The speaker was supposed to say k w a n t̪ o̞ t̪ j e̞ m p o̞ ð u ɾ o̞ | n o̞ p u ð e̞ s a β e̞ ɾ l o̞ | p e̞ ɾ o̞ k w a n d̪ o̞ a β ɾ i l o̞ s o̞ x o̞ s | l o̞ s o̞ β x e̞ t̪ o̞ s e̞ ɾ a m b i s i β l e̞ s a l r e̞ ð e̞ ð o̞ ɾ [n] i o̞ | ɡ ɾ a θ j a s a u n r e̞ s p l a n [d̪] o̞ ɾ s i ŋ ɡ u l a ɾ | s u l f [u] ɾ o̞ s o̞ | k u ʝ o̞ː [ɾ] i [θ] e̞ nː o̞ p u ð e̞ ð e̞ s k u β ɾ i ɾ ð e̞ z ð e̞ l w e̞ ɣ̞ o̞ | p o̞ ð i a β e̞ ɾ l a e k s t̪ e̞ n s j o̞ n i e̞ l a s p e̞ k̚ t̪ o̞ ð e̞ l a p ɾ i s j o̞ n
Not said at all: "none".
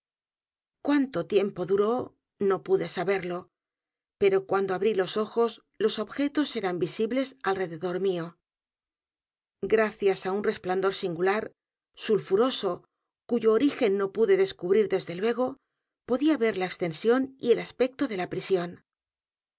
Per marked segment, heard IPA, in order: m, d̪, u, ɾ, x

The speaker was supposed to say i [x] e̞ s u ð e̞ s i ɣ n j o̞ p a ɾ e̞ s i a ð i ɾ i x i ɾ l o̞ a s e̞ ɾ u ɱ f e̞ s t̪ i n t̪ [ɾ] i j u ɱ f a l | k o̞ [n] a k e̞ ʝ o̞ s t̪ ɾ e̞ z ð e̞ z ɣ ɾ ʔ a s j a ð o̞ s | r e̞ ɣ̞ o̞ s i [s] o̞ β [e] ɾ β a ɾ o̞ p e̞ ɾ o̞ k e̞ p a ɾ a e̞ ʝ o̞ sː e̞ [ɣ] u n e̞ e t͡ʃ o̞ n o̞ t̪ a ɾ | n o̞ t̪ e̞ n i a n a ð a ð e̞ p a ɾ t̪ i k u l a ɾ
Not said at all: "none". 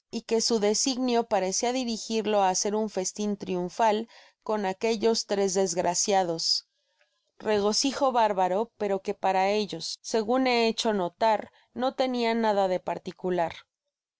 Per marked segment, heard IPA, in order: k, ɾ, n, x, a, ɣ

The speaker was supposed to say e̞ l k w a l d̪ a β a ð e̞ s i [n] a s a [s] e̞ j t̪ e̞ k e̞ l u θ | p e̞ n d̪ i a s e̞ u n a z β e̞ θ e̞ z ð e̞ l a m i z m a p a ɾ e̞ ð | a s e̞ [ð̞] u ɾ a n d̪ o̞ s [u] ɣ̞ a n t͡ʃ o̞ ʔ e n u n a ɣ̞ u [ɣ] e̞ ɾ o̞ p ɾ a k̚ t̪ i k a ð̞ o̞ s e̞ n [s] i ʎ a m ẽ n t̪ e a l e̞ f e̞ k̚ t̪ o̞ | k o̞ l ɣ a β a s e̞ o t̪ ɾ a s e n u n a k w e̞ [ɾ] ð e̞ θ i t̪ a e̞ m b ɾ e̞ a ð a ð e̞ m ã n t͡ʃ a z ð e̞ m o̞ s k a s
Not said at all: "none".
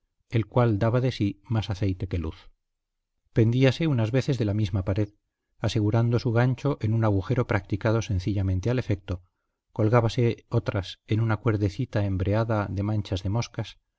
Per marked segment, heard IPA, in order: m, θ, ɣ̞, u, x, θ, ɾ

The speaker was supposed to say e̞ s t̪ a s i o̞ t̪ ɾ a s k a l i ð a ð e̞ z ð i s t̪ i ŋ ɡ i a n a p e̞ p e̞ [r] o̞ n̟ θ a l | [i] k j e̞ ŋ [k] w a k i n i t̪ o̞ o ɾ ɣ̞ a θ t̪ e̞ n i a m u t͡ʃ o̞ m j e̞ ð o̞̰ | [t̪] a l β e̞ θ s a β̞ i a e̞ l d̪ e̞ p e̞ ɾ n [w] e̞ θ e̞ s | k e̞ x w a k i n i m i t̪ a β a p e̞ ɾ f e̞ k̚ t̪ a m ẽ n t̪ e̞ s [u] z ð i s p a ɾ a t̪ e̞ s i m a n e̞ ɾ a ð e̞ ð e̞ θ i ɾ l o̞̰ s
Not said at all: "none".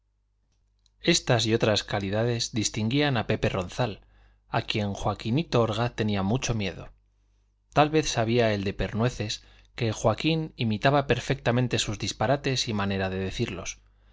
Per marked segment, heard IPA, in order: r, a, x, t̪, w, u

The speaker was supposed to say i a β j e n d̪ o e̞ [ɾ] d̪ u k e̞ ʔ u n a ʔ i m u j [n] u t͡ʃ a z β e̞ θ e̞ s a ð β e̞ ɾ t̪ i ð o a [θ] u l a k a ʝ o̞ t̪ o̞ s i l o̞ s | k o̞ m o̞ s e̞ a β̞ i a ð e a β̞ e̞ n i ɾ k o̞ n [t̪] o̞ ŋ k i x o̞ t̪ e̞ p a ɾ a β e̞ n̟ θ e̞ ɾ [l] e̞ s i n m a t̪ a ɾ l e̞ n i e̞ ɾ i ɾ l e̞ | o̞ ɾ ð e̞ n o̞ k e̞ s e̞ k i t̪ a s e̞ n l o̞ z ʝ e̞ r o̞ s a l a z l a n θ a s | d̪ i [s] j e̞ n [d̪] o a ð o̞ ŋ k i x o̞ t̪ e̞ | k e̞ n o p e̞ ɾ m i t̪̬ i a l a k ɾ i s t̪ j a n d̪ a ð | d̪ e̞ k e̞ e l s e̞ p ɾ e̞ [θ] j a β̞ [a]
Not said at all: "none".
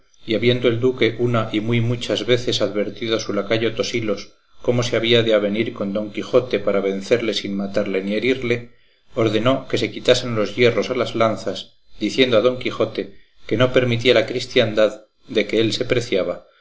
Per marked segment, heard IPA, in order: l, m, s, d̪, l, θ, d̪, θ, a

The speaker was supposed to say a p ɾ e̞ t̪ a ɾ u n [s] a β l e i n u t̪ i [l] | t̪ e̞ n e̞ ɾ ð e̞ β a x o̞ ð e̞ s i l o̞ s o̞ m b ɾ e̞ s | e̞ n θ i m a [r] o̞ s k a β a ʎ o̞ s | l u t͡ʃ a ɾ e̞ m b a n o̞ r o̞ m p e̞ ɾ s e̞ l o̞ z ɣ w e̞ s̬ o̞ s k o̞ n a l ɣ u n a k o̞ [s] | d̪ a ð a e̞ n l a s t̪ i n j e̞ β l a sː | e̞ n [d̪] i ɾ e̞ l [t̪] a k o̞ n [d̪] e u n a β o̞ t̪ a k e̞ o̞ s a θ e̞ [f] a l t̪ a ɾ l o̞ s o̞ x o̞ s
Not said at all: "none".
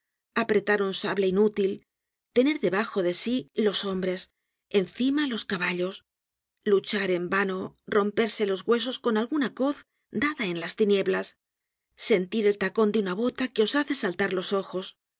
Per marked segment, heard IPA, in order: s, l, l, θ, t̪, t̪, d̪, s

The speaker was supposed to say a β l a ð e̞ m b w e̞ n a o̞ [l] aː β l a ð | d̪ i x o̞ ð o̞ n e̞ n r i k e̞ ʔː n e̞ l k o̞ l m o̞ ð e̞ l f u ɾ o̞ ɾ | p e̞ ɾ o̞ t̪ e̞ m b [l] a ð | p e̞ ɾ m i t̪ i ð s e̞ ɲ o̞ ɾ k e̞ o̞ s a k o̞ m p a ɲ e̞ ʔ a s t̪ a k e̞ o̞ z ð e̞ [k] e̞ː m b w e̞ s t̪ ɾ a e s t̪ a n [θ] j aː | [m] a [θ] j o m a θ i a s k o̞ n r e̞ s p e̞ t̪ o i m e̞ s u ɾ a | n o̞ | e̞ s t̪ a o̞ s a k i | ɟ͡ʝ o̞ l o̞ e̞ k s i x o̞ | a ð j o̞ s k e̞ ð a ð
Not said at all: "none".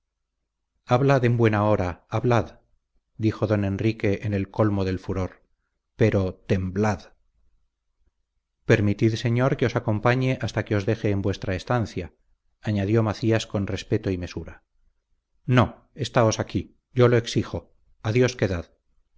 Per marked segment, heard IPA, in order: ɾ, l, x, θ, ɲ, ð

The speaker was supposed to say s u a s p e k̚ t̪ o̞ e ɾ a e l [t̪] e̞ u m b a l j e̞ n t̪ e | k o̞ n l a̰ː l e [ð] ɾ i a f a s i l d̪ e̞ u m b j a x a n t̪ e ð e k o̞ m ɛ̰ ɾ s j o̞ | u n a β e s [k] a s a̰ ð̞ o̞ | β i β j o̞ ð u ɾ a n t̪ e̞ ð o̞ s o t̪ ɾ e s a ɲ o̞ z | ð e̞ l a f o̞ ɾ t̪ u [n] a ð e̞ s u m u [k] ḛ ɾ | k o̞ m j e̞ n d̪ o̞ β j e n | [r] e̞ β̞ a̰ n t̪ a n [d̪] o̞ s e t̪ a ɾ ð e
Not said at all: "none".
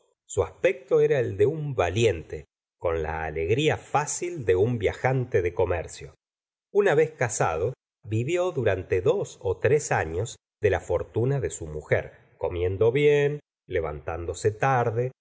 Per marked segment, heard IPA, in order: d̪, ɣ, k, n, x, l, d̪

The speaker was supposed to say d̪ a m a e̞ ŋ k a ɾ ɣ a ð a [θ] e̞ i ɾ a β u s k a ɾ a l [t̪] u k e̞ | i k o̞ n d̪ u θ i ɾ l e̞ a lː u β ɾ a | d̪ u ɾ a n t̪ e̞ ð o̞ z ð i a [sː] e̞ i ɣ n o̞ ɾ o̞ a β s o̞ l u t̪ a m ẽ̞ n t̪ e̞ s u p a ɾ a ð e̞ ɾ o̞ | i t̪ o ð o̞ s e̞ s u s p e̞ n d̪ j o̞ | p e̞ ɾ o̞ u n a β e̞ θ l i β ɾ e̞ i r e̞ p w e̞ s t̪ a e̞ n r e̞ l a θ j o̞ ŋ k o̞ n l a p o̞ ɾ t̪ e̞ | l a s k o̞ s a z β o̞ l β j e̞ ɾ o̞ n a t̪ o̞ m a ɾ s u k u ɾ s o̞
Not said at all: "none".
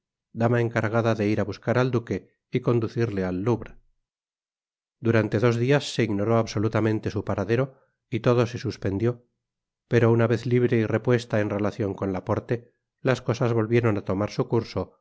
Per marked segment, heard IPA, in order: ð, d̪, sː

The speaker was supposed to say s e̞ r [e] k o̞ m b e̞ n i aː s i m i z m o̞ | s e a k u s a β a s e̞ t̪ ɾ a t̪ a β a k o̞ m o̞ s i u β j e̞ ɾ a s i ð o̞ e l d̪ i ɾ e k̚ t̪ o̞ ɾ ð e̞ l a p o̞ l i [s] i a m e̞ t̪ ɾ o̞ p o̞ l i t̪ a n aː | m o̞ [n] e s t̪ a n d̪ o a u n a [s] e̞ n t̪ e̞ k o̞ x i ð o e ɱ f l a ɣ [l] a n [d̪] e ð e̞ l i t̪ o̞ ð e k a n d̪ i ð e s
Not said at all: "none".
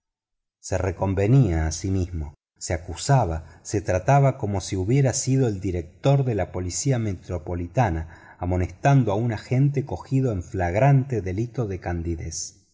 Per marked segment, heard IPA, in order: e, s, n, x, ɾ, t̪

